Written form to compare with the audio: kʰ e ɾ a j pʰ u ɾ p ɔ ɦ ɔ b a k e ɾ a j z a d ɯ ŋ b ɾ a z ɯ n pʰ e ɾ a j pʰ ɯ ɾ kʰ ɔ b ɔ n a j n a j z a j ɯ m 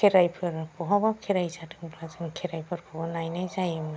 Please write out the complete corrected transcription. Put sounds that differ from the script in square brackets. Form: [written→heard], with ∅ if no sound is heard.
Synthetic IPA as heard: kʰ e ɾ a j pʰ [u→ɯ] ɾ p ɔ ɦ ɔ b a [k→kʰ] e ɾ a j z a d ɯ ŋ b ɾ a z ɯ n [pʰ→kʰ] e ɾ a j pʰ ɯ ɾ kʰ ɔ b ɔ n a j n a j z a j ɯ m